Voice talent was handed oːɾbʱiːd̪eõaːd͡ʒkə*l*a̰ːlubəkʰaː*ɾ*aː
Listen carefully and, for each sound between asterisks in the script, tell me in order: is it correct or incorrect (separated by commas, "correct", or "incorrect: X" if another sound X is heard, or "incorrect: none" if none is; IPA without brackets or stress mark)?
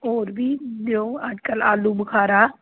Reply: correct, correct